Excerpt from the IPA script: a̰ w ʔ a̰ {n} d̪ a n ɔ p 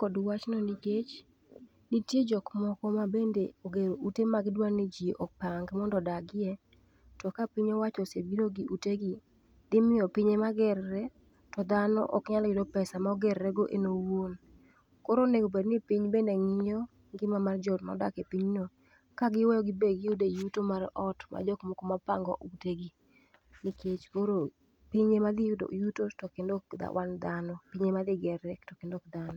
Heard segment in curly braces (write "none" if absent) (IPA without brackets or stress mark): n